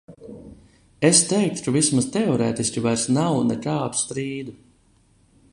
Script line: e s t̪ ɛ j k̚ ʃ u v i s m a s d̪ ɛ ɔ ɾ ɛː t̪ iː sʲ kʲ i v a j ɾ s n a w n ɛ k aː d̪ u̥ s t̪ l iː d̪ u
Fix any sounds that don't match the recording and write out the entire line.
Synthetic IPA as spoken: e s t̪ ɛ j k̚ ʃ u v i s m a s t̪ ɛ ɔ ɾ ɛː t̪ i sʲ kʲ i v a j ɾ s n a w n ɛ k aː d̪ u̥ s t̪ ɾ iː d̪ u

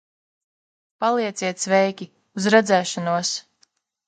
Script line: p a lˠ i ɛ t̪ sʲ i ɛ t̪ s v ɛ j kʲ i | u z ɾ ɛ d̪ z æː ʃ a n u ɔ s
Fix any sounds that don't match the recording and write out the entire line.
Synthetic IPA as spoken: p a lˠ i ɛ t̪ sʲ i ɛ t̪ s v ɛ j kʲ i | u z ɾ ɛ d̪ z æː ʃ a n u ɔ s

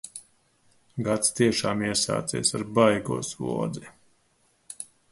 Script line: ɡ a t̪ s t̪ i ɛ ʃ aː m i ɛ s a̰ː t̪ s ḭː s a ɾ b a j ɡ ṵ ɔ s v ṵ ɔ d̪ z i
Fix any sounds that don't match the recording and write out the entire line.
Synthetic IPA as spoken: ɡ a t̪ s t̪ i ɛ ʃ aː m i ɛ s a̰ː t̪ s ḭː s a ɾ b a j ɡ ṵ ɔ s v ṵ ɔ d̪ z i

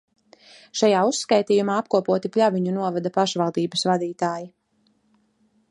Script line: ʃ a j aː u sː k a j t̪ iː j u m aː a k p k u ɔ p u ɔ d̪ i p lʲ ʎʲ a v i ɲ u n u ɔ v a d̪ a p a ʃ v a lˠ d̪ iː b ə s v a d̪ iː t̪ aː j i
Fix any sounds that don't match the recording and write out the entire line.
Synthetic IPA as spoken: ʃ a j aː u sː k a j t̪ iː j u m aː a p k u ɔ p u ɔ t̪ i p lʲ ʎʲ a v i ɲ u n u ɔ v a d̪ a p a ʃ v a lˠ d̪ iː b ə s v a d̪ iː t̪ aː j i

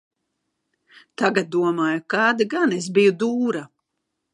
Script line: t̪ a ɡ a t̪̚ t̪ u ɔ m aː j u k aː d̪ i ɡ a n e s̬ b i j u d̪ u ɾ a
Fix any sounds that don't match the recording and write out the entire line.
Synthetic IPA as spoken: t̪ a ɡ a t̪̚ d̪ u ɔ m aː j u k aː d̪ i ɡ a n e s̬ b i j u d̪ uː ɾ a

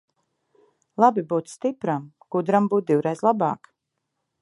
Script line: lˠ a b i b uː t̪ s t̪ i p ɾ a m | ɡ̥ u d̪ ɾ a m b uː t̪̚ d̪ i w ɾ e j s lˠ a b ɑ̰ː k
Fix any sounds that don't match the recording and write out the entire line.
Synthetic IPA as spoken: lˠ a b i b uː t̪ s t̪ i p ɾ a m | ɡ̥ u d̪ ɾ a m b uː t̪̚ d̪ i w ɾ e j z lˠ a b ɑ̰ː k

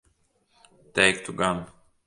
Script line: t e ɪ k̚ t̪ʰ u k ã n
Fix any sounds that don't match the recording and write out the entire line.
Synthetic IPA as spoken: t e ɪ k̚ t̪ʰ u ɡ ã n

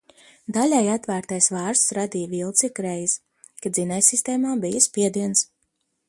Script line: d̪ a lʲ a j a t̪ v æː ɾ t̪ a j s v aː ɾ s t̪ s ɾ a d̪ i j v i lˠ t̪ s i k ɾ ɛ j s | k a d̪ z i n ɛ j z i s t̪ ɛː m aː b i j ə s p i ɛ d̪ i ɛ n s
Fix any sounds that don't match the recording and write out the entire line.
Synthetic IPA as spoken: d̪ a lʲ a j a t̪ v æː ɾ t̪ a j s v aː ɾ s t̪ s ɾ a d̪ i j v i lˠ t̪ s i k ɾ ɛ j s | k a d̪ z i n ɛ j s i s t̪ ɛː m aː b i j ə s p i ɛ d̪ i ɛ n s

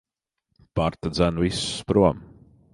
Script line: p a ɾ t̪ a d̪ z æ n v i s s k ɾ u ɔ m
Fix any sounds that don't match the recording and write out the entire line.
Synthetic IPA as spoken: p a ɾ t̪ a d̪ z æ n v i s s p ɾ u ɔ m

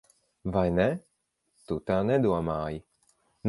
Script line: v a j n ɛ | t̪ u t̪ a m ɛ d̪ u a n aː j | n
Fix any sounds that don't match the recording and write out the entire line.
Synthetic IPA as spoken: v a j n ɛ | t̪ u t̪ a n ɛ d̪ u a m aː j | n

